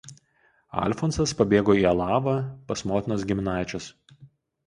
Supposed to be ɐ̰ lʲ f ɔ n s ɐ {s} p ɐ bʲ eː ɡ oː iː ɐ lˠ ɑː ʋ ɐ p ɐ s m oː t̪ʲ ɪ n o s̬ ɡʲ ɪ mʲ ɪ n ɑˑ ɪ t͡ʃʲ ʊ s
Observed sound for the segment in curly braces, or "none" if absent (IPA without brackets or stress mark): s